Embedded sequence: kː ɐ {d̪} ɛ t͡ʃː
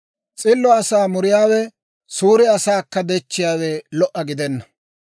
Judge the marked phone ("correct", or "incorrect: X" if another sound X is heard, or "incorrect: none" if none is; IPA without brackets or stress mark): correct